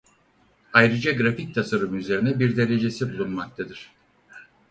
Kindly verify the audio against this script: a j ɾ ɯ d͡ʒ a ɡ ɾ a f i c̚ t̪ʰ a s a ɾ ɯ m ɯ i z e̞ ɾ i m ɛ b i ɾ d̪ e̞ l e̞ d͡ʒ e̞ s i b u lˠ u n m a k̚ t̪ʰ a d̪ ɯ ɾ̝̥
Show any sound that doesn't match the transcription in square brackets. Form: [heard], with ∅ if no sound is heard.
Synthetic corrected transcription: a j ɾ ɯ d͡ʒ a ɡ ɾ a f i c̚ t̪ʰ a s a ɾ ɯ m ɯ [y] z e̞ ɾ i [n] ɛ b i ɾ d̪ e̞ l e̞ d͡ʒ e̞ s i b u lˠ u n m a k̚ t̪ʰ a d̪ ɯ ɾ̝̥